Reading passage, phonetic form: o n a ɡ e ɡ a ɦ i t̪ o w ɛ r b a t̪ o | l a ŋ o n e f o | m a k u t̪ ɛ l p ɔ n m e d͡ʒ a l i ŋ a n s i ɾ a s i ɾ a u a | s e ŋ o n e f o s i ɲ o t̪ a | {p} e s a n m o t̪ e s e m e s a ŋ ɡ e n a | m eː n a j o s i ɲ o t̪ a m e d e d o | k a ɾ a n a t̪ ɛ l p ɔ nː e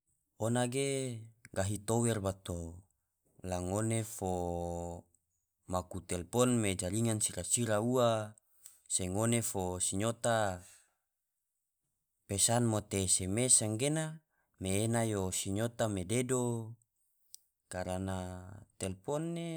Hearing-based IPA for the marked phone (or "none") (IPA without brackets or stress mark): p